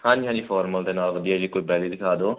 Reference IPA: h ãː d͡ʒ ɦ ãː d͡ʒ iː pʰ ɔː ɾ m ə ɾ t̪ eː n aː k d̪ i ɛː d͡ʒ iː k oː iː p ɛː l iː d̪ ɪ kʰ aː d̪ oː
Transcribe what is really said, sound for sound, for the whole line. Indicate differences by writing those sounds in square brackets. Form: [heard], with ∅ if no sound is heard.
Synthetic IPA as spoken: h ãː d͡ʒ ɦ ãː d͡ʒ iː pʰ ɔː ɾ m ə [l] t̪ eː n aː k d̪ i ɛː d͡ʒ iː k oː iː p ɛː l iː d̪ ɪ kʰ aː d̪ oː